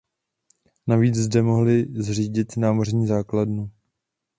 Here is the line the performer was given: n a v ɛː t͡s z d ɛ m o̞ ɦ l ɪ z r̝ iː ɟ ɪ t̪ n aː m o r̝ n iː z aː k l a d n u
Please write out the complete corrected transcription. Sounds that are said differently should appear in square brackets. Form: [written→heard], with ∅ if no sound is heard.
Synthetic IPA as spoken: n a v [ɛː→iː] t͡s z d ɛ m o̞ ɦ l ɪ z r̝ iː ɟ ɪ t̪ n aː m o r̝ [n→ɲ] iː z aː k l a d n u